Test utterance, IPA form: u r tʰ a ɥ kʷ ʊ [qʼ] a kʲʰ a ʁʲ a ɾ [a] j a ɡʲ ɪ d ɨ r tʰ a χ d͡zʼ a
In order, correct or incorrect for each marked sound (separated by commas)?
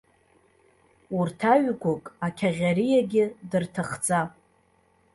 incorrect, incorrect